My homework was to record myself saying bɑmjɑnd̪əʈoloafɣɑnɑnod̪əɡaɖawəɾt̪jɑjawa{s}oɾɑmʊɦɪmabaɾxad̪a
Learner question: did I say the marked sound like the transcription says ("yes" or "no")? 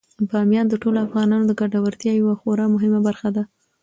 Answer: no